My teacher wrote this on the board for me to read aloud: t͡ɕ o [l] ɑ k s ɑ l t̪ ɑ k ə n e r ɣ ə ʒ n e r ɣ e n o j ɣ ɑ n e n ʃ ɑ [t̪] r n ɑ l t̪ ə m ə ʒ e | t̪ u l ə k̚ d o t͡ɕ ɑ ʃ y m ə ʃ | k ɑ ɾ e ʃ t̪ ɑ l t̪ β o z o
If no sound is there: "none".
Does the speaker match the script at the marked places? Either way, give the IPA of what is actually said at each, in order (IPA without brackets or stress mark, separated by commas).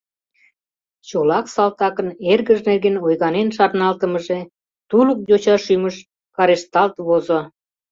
l, none